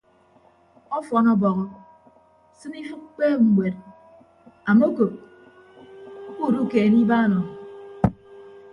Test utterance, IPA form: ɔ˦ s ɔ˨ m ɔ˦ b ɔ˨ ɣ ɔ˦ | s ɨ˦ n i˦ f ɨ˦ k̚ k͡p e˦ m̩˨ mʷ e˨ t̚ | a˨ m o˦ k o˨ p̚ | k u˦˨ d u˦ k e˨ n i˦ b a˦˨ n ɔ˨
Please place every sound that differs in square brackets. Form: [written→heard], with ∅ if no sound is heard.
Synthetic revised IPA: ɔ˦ [s→f] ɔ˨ [m→n] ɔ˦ b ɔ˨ ɣ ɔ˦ | s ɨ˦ n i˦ f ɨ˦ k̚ k͡p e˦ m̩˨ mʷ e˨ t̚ | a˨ m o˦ k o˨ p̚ | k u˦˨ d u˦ k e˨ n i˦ b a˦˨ n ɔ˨